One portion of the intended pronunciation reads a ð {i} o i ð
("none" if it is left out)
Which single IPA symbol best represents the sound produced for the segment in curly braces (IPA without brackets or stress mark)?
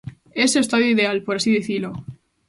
j